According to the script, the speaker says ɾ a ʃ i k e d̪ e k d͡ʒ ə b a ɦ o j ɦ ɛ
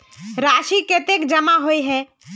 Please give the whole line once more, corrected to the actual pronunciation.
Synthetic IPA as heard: ɾ a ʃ i k e t̪ e k d͡ʒ ə m a ɦ o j ɦ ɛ

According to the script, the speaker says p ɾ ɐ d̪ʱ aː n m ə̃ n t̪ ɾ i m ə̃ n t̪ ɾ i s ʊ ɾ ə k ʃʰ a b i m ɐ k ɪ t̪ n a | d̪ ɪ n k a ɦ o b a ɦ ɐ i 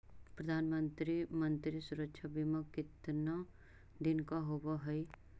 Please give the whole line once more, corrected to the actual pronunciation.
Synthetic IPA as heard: p ɾ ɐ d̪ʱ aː n m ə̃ n t̪ ɾ i m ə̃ n t̪ ɾ i s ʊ ɾ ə k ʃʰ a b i m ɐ k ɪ t̪ n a | d̪ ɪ n k a ɦ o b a ɦ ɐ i

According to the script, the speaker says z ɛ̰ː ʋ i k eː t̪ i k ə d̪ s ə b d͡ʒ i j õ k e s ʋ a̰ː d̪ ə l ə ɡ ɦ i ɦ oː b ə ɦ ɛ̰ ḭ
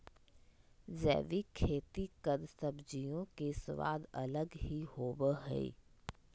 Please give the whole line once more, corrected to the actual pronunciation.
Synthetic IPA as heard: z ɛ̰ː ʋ i kʰ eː t̪ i k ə d̪ s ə b d͡ʒ i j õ k e s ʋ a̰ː d̪ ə l ə ɡ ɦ i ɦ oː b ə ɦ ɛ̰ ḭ

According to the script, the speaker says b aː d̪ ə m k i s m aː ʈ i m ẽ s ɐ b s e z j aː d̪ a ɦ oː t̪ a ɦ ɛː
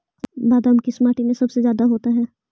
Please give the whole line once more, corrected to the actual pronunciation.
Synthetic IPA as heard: b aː d̪ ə m k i s m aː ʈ i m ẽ s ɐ b s e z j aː d̪ a ɦ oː t̪ a ɦ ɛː

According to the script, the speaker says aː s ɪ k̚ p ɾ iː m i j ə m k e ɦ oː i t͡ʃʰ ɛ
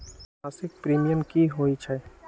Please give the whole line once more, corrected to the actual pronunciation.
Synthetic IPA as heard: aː s ɪ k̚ p ɾ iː m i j ə m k i ɦ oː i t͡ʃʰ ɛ

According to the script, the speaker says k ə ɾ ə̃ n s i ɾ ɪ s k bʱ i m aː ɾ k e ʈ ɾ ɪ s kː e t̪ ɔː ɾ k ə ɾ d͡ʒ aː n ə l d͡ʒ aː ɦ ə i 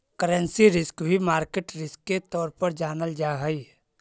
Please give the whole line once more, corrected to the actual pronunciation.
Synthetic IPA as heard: k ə ɾ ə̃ n s i ɾ ɪ s k bʱ i m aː ɾ k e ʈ ɾ ɪ s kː e t̪ ɔː ɾ p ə ɾ d͡ʒ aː n ə l d͡ʒ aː ɦ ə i

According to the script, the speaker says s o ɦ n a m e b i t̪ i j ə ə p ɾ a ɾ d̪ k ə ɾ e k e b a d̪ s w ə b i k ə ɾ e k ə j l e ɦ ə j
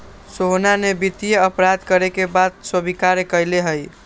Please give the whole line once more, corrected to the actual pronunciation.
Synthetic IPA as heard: s o ɦ n a n e b i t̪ i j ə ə p ɾ a d̪ k ə ɾ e k e b a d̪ s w ə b i k a ɾ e k ə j l e ɦ ə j

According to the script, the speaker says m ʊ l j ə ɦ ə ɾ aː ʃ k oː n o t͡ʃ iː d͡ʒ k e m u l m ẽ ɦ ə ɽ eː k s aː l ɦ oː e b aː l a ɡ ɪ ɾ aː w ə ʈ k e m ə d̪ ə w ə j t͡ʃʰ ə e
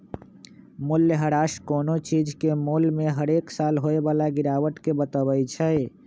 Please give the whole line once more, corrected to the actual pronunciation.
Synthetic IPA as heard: m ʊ l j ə ɦ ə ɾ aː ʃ k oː n o t͡ʃ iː d͡ʒ k e m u l m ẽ ɦ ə ɾ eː k s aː l ɦ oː e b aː l a ɡ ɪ ɾ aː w ə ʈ k e b ə t̪ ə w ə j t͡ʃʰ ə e

